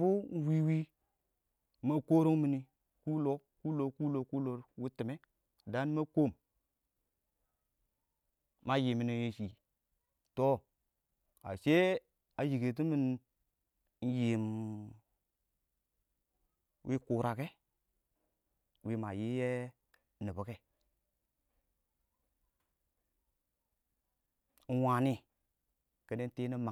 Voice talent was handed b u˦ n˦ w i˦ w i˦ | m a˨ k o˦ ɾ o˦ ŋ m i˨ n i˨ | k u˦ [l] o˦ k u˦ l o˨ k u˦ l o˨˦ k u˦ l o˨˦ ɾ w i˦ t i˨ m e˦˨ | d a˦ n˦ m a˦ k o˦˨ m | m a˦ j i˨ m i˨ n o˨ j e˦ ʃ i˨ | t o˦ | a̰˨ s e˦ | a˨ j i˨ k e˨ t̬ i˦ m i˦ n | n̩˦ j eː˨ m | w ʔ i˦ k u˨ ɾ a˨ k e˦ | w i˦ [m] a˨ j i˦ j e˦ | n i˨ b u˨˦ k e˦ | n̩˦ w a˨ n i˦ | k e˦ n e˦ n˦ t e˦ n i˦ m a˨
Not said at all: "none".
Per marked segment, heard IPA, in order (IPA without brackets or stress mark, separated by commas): l, m